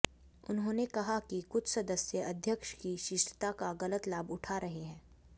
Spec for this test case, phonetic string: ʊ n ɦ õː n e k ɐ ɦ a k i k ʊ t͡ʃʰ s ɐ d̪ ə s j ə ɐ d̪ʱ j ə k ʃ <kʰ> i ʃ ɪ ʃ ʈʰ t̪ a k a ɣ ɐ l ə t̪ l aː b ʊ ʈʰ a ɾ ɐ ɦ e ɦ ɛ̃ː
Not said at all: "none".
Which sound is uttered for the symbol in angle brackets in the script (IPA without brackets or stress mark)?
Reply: k